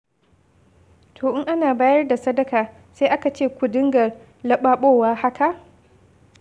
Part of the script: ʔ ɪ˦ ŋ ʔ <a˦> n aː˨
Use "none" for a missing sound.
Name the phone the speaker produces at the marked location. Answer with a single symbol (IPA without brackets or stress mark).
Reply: a˦